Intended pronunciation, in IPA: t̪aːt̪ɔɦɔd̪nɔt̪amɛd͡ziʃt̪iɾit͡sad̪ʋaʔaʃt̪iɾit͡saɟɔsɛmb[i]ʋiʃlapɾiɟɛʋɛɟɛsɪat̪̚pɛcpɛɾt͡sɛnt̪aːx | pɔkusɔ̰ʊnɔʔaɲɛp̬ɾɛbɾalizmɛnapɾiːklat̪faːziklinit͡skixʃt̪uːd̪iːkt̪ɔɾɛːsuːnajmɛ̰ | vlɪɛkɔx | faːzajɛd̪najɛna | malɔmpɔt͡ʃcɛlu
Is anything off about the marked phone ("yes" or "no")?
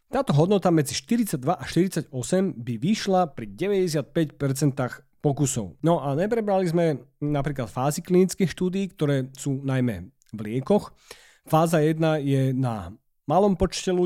no